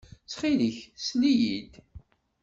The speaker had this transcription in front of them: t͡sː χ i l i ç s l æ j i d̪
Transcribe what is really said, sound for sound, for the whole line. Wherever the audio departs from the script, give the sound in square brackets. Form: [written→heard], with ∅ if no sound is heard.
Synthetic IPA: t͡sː χ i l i ç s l [æ→i] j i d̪